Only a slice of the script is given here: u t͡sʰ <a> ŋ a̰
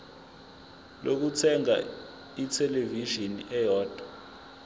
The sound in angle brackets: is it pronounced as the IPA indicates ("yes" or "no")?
no